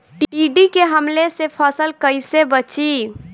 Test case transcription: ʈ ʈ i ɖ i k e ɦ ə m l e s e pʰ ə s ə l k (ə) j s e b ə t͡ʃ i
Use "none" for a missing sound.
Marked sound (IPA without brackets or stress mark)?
ə